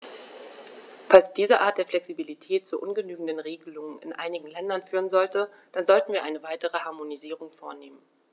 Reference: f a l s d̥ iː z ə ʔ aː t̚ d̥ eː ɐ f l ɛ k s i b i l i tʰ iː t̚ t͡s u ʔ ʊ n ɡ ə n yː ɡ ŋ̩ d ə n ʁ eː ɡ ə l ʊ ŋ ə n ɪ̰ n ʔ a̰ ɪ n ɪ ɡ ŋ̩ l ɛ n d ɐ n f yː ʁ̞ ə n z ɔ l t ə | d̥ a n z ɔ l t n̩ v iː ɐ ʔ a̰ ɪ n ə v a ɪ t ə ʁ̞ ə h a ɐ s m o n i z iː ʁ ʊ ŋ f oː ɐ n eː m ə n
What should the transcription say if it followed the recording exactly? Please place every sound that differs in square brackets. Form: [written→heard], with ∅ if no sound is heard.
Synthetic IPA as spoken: f a l s d̥ iː z ə ʔ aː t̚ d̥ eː ɐ f l ɛ k s i b i l i tʰ [iː→ɛː] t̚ t͡s u ʔ ʊ n ɡ ə n yː ɡ ŋ̩ d ə n ʁ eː ɡ ə l ʊ ŋ ə n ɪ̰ n ʔ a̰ ɪ n ɪ ɡ ŋ̩ l ɛ n d ɐ n f yː ʁ̞ ə n z ɔ l t ə | d̥ a n z ɔ l t n̩ v iː ɐ ʔ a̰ ɪ n ə v a ɪ t ə ʁ̞ ə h a ɐ [s→∅] m o n i z iː ʁ ʊ ŋ f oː ɐ n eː m ə n

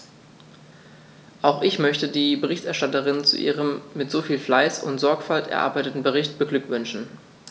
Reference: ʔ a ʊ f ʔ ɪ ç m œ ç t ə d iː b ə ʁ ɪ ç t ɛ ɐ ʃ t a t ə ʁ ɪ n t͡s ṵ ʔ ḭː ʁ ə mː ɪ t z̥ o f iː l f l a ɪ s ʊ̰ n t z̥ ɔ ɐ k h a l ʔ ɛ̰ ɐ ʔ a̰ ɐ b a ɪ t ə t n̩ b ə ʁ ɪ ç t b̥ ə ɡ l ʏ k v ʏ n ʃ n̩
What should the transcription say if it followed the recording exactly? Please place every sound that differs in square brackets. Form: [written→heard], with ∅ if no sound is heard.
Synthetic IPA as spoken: ʔ a ʊ [f→x] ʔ ɪ ç m œ ç t ə d iː b ə ʁ ɪ ç t ɛ ɐ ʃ t a t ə ʁ ɪ n t͡s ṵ ʔ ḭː ʁ ə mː ɪ t z̥ o f iː l f l a ɪ s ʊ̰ n t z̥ ɔ ɐ k [h→f] a l [ʔ→t] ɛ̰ ɐ ʔ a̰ ɐ b a ɪ t ə t n̩ b ə ʁ ɪ ç t b̥ ə ɡ l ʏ k v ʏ n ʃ n̩

